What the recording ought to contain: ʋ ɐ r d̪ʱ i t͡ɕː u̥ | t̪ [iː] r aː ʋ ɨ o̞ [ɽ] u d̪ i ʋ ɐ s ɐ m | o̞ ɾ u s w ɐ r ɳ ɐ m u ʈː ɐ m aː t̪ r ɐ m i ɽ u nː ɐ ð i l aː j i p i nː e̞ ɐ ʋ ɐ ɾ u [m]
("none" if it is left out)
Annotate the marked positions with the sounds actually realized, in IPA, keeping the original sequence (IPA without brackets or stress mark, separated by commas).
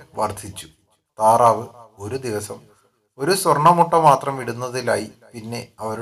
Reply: aː, ɾ, none